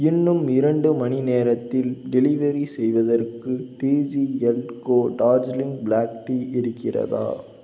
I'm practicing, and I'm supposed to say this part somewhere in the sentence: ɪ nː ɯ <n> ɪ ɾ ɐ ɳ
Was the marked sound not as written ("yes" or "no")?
yes